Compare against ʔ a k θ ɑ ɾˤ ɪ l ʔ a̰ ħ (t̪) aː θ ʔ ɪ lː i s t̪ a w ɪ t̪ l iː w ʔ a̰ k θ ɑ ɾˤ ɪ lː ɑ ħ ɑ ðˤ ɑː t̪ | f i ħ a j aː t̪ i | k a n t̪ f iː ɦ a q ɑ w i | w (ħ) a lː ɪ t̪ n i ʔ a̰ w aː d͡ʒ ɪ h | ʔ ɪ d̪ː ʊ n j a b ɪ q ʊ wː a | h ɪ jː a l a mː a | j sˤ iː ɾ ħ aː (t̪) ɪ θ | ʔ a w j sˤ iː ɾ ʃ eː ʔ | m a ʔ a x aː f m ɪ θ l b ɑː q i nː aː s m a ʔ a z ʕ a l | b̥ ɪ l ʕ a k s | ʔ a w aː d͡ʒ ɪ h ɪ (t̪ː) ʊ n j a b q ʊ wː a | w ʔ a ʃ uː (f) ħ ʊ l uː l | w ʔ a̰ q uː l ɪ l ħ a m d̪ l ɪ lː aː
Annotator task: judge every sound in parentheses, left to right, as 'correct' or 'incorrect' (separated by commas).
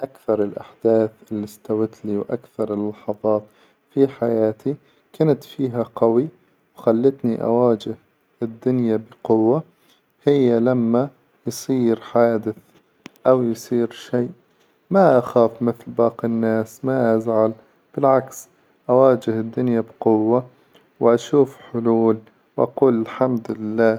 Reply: incorrect, incorrect, incorrect, incorrect, correct